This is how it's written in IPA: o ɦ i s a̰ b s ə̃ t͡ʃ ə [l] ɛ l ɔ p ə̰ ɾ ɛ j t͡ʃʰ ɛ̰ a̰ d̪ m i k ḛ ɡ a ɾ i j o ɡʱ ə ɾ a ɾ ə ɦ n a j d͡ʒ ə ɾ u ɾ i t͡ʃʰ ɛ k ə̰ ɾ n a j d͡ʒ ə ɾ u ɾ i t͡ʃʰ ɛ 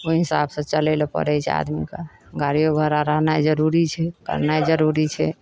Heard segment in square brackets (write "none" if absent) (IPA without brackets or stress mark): l